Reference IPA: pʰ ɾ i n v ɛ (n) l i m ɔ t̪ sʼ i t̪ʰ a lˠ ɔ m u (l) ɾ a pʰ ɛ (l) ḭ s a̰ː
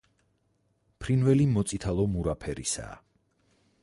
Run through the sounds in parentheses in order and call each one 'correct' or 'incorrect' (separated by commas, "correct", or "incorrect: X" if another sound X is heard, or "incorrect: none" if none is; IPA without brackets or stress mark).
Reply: incorrect: none, incorrect: none, incorrect: ɾ